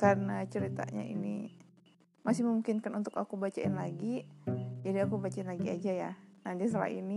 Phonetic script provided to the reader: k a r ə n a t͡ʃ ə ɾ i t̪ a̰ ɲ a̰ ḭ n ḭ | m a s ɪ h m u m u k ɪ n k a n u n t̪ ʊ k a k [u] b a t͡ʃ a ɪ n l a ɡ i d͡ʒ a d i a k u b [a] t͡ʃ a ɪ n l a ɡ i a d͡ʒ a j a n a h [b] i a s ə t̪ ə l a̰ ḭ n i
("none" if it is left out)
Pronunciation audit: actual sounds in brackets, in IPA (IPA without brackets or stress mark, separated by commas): u, a, d